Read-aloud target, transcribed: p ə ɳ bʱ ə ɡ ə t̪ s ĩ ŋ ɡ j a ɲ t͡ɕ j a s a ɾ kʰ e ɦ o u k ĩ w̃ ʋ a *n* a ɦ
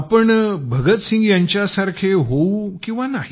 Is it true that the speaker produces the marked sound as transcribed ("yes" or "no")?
yes